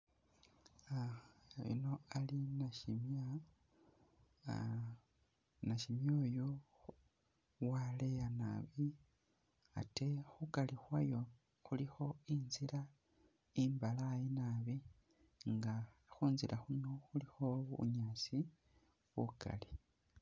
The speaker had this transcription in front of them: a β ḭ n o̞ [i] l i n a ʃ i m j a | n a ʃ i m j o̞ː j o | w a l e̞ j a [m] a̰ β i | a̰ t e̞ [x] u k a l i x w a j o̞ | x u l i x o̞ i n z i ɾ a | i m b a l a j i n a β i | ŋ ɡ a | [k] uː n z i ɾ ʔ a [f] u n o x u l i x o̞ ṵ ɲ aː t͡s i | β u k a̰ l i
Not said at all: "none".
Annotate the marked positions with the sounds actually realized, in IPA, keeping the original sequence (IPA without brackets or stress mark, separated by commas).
a, n, x, x, x